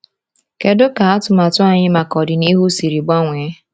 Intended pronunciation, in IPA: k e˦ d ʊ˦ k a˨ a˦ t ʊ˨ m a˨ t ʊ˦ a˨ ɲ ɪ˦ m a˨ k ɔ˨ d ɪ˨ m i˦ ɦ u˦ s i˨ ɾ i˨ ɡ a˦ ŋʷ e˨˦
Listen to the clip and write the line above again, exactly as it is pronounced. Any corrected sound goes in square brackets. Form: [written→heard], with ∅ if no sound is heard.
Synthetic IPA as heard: k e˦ d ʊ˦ k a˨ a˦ t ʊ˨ m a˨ t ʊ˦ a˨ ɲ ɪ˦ m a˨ k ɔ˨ d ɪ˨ [m→n] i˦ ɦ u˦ s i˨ ɾ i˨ [ɡ→ɡ͡b] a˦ ŋʷ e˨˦